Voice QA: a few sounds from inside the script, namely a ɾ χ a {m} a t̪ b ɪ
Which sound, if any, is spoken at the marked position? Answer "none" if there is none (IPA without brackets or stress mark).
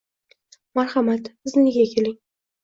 m